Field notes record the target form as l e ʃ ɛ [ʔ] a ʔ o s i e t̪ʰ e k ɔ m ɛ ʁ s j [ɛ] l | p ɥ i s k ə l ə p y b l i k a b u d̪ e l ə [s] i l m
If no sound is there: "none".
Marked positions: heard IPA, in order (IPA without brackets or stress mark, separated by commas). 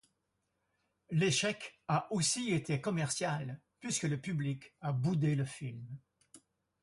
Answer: k, a, f